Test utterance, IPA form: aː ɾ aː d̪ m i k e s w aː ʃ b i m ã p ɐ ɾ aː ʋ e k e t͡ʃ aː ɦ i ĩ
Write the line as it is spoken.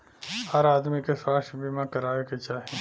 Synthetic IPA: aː ɾ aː d̪ m i k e s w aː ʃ b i m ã k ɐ ɾ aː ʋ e k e t͡ʃ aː ɦ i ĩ